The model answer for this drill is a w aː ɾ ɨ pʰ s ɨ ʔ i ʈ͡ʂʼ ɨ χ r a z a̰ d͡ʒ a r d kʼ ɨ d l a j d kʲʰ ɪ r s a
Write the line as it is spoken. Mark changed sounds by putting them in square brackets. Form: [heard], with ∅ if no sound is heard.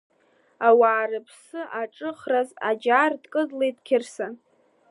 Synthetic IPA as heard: a w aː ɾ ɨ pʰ s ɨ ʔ [a] ʈ͡ʂʼ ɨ χ r a z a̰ d͡ʒ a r d kʼ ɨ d l [e] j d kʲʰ ɪ r s a